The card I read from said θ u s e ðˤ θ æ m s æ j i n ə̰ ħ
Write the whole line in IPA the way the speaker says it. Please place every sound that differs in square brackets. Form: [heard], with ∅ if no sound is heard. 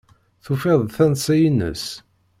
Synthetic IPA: θ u [f] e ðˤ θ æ [n] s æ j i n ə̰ [s]